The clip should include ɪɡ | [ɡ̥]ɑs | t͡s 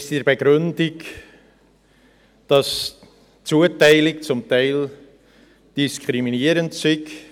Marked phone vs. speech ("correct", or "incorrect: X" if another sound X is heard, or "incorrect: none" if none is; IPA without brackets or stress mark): incorrect: d̥